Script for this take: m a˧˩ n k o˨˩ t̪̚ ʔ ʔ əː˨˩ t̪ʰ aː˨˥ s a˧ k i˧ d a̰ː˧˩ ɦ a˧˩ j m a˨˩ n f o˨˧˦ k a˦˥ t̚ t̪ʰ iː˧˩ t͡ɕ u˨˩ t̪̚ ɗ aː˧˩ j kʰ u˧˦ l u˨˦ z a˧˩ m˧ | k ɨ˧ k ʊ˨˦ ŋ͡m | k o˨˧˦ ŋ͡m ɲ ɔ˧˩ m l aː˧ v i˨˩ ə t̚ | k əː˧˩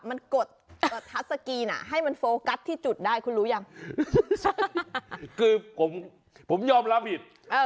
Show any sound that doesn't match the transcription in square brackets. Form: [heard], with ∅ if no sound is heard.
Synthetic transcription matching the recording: m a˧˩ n k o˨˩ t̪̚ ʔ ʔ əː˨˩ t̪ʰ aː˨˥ s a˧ k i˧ [n] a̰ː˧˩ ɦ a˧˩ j m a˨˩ n f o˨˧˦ k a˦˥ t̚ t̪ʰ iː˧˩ t͡ɕ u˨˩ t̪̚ ɗ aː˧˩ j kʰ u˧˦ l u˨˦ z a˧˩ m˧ | k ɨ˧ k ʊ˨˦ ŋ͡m | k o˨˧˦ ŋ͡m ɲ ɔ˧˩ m l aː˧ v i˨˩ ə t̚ | [ʔ] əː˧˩

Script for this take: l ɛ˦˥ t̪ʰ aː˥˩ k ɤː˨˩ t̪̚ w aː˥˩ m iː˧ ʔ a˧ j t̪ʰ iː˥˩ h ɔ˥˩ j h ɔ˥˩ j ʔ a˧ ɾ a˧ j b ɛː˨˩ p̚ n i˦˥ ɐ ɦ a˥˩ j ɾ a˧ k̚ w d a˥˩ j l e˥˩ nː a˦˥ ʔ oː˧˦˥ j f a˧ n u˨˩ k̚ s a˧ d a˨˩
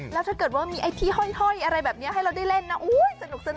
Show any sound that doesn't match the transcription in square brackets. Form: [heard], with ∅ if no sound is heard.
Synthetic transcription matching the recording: l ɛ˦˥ t̪ʰ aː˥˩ k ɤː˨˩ t̪̚ w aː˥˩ m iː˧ ʔ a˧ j t̪ʰ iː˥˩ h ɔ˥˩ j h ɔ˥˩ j ʔ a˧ ɾ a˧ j b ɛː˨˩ p̚ n i˦˥ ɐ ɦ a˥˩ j ɾ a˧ [∅] w d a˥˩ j l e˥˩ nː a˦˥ ʔ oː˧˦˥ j [s] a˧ n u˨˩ k̚ s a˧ [n] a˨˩

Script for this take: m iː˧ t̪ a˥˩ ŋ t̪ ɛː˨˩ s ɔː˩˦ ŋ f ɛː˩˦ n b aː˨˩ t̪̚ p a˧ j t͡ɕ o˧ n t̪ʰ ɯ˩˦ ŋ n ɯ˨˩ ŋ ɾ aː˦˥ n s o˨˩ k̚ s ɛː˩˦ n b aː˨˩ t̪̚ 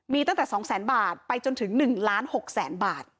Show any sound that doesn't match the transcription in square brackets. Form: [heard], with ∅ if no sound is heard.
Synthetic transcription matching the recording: m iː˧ t̪ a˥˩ ŋ t̪ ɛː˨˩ s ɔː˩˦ ŋ [s] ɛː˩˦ n b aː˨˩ t̪̚ p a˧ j t͡ɕ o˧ n t̪ʰ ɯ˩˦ ŋ n ɯ˨˩ ŋ [l] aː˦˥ n [h] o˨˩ k̚ s ɛː˩˦ n b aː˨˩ t̪̚

